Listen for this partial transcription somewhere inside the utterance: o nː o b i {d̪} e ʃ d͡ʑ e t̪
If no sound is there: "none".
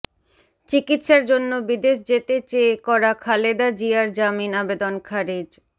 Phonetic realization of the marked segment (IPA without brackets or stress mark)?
d̪